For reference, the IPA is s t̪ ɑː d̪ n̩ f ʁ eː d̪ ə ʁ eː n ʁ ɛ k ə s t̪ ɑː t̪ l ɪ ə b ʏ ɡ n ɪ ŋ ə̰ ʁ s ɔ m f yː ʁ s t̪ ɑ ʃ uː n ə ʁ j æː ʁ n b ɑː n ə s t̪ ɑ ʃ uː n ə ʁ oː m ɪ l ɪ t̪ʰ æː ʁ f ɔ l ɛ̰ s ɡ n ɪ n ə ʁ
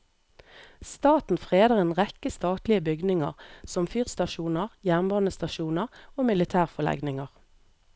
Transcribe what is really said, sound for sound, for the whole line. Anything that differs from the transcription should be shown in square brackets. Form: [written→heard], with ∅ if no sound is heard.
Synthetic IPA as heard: s t̪ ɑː [d̪→t̪] n̩ f ʁ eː d̪ ə ʁ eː n ʁ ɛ k ə s t̪ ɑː t̪ l ɪ ə b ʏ ɡ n ɪ ŋ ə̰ ʁ s ɔ m f yː ʁ s t̪ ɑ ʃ uː n ə ʁ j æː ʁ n b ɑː n ə s t̪ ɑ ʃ uː n ə ʁ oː m ɪ l ɪ t̪ʰ æː ʁ f ɔ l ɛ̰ [s→∅] ɡ n ɪ [n→ŋ] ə ʁ